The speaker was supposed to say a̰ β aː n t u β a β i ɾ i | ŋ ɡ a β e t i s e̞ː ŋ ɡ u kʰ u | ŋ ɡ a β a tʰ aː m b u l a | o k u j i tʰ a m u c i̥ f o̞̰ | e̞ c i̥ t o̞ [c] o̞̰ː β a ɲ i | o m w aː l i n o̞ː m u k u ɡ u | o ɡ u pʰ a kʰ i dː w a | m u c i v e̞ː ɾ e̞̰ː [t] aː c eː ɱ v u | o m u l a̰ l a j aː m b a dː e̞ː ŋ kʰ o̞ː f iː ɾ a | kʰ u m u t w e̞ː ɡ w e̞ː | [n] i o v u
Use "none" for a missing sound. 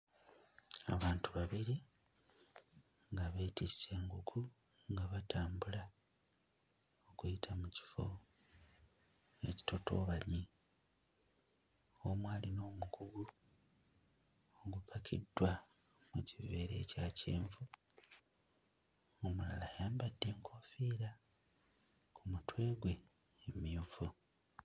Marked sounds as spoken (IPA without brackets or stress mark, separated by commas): t, c, m